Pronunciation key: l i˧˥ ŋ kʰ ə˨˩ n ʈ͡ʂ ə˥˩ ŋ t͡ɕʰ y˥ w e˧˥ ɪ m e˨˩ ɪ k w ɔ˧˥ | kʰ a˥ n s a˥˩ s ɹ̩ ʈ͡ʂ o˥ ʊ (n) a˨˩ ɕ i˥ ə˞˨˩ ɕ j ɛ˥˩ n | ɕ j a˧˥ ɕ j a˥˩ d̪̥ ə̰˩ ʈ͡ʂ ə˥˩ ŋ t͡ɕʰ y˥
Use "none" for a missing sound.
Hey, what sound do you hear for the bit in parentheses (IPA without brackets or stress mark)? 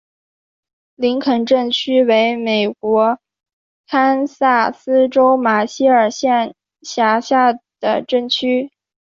m